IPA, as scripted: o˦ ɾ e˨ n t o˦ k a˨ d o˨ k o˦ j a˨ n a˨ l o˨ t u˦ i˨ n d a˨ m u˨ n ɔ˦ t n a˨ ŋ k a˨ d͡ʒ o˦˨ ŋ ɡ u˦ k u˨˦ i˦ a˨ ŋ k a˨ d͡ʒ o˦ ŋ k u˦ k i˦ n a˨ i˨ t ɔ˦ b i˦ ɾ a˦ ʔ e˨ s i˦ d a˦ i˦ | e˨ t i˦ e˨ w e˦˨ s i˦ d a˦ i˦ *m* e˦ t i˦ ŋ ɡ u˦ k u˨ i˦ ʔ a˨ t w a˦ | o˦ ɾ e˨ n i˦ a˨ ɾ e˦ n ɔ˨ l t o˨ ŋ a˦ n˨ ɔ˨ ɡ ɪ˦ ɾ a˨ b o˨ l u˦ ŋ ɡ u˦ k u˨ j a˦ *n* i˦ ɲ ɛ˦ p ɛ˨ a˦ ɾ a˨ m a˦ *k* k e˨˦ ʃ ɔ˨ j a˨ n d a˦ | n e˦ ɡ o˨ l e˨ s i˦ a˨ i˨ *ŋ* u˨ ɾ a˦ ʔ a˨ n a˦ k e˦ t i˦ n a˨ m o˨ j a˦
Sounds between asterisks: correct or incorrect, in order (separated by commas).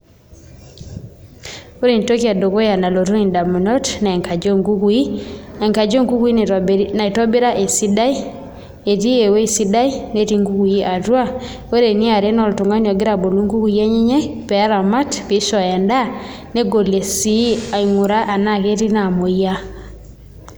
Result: incorrect, incorrect, incorrect, correct